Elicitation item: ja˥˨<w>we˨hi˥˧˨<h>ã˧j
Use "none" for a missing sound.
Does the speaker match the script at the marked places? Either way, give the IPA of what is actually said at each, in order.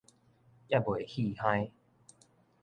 b, h

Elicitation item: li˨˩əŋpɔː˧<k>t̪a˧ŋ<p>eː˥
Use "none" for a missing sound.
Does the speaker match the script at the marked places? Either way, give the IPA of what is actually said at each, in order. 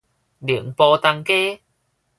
none, k

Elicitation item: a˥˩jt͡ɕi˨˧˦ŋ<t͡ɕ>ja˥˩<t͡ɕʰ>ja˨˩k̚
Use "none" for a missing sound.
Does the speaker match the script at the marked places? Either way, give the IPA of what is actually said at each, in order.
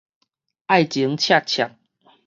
t͡ɕʰ, t͡ɕʰ

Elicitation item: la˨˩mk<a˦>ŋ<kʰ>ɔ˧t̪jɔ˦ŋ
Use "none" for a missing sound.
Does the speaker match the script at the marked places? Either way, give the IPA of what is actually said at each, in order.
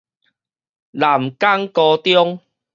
a˦, k

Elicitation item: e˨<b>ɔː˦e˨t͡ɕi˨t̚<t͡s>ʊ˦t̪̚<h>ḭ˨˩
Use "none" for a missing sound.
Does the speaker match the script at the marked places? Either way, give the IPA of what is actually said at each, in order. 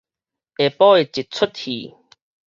p, t͡sʰ, h

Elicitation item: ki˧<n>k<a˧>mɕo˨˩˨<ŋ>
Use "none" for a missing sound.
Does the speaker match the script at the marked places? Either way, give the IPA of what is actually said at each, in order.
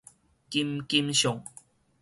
m, i˧, ŋ

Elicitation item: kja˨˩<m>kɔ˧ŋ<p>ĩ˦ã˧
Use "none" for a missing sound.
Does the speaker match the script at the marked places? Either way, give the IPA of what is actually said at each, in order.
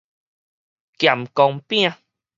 m, p

